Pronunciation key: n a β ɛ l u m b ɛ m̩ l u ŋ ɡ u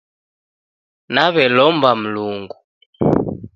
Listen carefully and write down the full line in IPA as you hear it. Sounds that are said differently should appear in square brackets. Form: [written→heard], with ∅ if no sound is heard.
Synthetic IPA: n a β ɛ l [u→ɔ] m b [ɛ→a] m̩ l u ŋ ɡ u